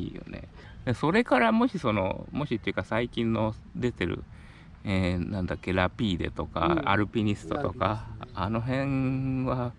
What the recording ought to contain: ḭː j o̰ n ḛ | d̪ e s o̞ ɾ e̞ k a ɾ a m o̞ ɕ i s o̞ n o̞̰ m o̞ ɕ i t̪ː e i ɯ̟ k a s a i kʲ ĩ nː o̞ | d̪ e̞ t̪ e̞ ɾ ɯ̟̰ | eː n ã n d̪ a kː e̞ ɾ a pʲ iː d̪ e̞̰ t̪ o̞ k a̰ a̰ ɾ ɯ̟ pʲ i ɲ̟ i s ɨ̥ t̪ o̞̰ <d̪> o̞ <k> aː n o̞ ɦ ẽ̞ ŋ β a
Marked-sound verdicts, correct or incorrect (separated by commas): incorrect, correct